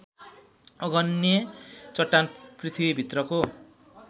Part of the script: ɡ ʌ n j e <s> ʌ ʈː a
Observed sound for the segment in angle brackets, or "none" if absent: t͡s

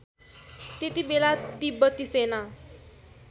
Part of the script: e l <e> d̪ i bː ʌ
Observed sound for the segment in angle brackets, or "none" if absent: a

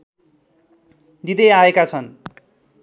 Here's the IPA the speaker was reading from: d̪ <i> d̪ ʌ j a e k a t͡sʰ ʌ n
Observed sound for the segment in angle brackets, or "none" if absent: i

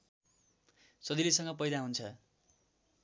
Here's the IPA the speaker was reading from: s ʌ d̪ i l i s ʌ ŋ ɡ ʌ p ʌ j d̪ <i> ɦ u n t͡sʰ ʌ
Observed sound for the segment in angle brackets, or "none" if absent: a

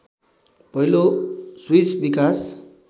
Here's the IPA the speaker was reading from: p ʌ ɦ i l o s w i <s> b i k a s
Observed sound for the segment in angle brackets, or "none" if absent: s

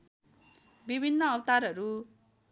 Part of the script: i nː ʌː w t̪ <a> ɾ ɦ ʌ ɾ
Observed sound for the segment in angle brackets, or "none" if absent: a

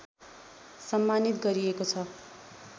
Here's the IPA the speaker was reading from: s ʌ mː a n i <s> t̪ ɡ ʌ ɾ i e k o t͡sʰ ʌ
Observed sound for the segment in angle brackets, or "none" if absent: none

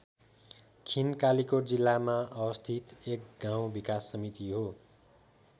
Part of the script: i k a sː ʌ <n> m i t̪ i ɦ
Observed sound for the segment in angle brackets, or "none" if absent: none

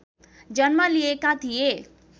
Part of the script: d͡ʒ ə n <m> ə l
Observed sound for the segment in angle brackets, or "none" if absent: m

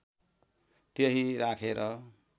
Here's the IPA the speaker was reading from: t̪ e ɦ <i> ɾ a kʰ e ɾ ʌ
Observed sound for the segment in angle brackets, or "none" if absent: i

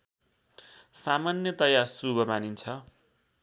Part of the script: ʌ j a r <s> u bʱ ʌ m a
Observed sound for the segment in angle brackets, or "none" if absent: s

